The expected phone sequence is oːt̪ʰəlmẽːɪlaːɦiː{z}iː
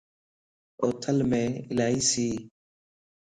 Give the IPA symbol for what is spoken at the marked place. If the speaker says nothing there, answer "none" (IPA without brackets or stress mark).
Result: s